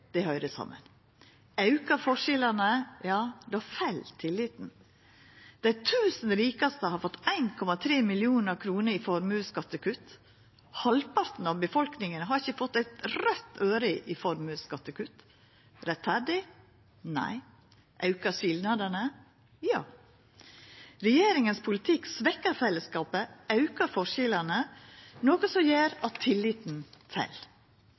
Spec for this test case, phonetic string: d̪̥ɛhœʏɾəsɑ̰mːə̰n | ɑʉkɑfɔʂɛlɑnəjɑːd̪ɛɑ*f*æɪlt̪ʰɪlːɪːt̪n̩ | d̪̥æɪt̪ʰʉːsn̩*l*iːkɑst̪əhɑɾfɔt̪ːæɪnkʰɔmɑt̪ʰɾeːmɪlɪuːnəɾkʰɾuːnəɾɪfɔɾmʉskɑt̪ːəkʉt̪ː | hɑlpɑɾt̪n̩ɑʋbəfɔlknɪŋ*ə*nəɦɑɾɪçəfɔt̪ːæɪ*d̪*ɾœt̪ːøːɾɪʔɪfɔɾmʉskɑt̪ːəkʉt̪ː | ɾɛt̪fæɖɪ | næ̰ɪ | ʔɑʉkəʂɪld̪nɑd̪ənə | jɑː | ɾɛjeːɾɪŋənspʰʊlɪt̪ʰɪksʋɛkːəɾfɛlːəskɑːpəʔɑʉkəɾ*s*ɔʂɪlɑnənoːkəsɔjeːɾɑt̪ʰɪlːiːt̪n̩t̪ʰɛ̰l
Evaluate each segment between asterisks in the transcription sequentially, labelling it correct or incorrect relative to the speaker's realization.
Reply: correct, incorrect, correct, incorrect, incorrect

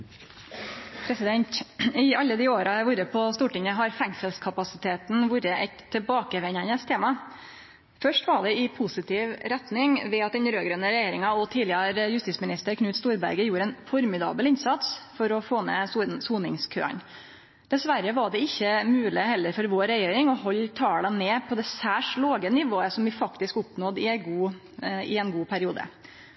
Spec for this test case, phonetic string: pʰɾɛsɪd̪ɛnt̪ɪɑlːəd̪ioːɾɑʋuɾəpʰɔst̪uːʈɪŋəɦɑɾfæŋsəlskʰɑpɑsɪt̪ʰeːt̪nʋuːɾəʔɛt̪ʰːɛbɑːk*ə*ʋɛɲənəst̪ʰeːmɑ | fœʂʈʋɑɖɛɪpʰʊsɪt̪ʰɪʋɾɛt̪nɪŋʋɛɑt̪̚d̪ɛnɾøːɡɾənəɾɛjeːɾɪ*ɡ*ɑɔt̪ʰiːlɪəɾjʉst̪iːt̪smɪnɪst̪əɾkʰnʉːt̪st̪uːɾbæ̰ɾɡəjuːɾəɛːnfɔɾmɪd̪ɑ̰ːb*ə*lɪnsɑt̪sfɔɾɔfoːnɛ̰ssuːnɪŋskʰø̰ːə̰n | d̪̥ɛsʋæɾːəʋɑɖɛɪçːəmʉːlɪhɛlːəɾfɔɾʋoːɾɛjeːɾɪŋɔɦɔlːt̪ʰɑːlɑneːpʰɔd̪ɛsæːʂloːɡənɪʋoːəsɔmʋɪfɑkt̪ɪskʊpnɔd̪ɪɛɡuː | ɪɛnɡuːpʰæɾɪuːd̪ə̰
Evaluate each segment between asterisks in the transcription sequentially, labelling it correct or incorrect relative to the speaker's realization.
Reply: correct, incorrect, correct

